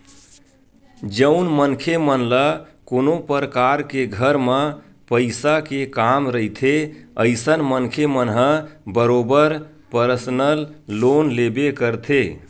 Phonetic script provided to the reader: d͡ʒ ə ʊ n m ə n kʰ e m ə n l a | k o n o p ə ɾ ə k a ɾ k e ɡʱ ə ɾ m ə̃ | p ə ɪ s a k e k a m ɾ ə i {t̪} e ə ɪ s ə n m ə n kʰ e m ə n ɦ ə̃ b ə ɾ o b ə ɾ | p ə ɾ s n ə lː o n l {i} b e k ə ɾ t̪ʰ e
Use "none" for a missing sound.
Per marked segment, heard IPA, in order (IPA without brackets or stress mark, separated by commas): t̪ʰ, e